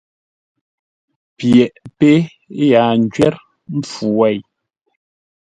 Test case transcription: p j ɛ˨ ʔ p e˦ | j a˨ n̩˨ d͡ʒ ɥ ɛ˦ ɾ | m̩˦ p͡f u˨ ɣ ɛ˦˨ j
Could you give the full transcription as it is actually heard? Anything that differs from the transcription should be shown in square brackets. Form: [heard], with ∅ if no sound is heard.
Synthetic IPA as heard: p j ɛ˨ ʔ p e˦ | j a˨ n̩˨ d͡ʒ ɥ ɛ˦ ɾ | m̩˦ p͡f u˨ [w] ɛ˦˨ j